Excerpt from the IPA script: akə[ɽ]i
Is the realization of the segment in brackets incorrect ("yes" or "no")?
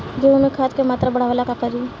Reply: yes